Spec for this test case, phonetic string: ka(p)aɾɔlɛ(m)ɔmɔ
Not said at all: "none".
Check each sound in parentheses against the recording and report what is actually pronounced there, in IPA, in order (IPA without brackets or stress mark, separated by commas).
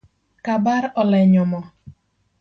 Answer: b, ɲ